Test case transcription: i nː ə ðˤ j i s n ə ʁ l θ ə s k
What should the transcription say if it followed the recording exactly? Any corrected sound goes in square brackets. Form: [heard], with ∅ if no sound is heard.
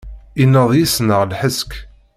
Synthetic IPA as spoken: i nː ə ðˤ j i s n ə ʁ l [ħ] ə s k